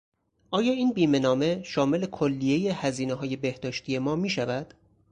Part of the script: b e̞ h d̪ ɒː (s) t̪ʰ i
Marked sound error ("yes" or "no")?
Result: yes